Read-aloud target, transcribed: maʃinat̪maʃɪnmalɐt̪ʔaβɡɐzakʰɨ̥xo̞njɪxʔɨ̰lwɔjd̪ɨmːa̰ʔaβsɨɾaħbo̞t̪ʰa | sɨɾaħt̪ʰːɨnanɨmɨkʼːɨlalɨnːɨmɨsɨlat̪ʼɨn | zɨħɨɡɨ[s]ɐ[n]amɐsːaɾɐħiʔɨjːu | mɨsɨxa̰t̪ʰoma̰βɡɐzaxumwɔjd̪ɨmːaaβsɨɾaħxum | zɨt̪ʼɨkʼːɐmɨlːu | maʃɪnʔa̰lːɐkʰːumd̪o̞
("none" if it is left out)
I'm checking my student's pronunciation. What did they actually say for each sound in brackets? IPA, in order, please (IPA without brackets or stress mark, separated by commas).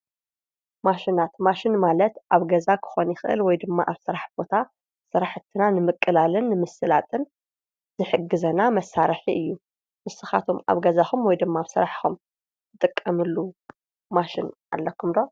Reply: z, n